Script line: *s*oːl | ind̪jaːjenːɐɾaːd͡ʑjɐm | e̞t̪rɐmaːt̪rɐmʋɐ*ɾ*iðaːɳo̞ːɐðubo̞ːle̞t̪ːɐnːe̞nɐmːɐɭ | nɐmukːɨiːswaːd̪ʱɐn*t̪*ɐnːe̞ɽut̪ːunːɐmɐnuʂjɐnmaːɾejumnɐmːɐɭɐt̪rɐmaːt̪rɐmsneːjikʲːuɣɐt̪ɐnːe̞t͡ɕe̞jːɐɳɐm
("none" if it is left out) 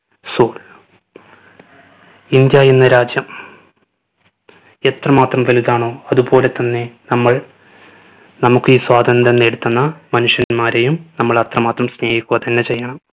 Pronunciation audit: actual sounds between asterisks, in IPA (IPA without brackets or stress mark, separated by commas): s, l, d̪